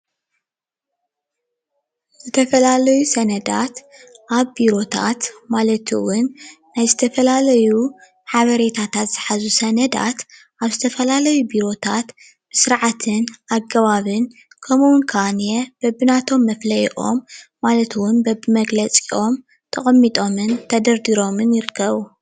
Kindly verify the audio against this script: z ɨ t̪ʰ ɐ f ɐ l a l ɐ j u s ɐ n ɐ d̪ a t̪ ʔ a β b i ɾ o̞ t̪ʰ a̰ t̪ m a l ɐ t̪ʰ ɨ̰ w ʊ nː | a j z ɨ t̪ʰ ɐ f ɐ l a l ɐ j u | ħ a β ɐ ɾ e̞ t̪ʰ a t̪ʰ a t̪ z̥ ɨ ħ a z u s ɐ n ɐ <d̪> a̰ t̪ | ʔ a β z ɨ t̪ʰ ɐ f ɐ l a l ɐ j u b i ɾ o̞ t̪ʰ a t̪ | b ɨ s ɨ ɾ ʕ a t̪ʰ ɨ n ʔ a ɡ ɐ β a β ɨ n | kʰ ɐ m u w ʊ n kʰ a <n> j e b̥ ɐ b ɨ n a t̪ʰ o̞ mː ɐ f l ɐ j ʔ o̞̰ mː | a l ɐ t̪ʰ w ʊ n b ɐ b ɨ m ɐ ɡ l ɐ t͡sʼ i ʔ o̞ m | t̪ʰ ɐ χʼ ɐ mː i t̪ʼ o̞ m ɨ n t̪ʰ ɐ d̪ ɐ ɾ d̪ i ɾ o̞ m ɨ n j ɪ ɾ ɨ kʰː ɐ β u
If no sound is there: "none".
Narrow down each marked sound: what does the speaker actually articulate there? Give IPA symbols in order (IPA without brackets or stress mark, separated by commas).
d̪, n